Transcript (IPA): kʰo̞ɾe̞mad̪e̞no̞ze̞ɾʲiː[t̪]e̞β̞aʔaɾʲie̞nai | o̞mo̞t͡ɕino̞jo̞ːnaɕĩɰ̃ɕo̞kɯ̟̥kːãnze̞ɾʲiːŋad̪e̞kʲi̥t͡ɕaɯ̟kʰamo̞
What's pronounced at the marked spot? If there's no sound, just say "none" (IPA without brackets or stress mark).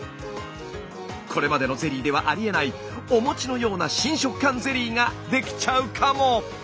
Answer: d̪